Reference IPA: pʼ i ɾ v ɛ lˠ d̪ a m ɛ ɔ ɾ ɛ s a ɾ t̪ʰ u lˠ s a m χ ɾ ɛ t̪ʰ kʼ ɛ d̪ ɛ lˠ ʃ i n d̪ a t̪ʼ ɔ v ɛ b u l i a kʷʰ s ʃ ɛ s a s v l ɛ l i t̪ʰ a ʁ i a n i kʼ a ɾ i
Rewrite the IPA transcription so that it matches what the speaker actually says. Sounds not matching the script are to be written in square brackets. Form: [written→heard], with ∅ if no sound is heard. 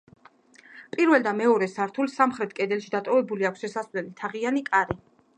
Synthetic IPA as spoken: pʼ i ɾ v ɛ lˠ d̪ a m ɛ ɔ ɾ ɛ s a ɾ t̪ʰ u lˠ s a m χ ɾ ɛ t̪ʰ kʼ ɛ d̪ ɛ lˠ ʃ i [n→∅] d̪ a t̪ʼ ɔ v ɛ b u l i a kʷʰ s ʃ ɛ s a s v l ɛ l i t̪ʰ a ʁ i a n i kʼ a ɾ i